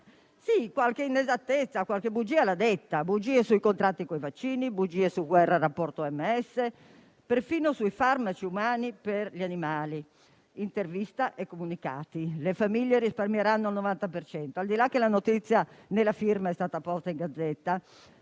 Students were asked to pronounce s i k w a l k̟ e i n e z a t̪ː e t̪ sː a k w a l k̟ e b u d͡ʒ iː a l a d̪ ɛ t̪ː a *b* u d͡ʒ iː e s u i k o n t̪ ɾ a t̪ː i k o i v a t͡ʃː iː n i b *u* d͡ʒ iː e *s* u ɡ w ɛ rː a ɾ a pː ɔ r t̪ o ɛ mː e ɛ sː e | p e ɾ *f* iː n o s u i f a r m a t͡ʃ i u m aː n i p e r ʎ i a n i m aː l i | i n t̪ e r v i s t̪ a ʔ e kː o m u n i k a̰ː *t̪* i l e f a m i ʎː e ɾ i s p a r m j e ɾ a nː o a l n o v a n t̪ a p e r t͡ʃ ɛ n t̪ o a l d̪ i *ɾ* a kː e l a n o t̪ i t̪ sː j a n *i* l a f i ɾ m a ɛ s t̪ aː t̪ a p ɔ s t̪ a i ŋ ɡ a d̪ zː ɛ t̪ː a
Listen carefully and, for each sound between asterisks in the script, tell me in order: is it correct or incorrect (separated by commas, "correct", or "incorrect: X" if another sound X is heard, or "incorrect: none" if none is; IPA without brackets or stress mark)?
correct, correct, correct, correct, correct, incorrect: l, incorrect: e